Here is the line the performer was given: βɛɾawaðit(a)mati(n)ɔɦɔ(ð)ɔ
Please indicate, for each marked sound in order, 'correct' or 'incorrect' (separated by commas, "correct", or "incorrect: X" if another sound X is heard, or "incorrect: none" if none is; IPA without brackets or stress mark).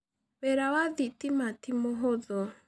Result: incorrect: i, incorrect: m, correct